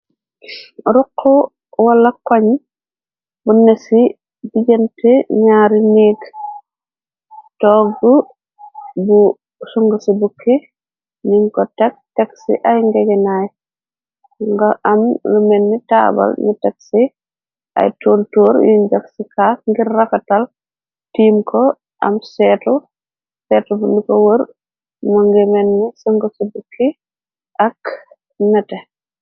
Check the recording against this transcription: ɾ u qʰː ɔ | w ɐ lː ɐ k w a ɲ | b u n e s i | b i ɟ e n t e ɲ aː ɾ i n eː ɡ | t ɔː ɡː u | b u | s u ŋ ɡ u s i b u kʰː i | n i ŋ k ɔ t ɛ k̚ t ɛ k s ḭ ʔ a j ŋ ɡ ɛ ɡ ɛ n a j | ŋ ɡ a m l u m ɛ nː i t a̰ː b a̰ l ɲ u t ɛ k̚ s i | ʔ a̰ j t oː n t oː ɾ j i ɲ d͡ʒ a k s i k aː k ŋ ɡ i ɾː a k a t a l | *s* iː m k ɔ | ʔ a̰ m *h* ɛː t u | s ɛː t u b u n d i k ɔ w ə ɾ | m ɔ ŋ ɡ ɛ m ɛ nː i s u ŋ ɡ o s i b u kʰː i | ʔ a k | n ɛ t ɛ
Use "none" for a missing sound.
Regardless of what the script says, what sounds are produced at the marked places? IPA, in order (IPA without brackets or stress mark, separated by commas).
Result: t, s